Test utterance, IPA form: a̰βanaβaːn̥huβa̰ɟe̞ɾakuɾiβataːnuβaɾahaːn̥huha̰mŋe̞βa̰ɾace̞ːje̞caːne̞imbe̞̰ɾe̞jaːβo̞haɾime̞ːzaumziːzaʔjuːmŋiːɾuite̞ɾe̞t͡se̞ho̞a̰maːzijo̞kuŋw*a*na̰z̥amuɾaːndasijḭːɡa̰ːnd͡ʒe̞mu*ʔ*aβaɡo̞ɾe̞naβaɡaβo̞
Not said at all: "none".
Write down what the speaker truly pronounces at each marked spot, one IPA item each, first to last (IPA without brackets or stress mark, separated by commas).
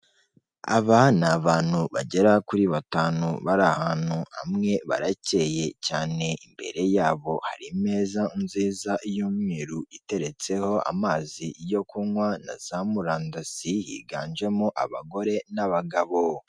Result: a, ʔ